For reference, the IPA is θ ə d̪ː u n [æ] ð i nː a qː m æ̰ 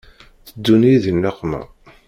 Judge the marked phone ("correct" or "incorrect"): incorrect